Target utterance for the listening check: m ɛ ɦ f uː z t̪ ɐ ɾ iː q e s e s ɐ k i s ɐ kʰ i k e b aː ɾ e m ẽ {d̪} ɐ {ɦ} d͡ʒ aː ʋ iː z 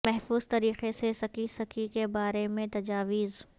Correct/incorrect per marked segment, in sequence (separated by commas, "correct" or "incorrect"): incorrect, incorrect